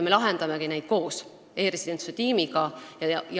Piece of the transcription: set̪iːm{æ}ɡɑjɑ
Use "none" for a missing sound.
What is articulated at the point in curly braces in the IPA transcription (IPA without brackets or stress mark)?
i